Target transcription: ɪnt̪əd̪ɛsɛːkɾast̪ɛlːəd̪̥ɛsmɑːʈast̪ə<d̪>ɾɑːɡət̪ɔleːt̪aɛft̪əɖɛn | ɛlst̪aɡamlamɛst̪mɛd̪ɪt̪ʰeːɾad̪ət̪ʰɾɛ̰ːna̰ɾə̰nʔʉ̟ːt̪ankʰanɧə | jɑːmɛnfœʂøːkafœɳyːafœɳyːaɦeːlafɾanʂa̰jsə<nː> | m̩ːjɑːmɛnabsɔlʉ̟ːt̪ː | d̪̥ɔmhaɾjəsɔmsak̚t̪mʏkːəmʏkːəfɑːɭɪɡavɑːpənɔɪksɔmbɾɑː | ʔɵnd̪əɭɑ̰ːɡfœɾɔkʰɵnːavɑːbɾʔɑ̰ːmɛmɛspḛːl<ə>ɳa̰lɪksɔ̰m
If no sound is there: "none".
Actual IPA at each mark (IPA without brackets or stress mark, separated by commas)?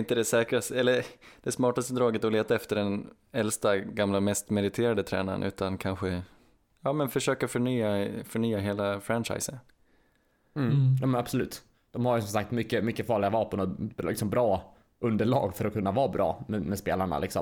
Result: d̪, n, a